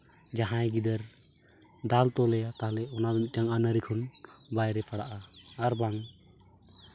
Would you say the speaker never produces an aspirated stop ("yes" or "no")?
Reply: no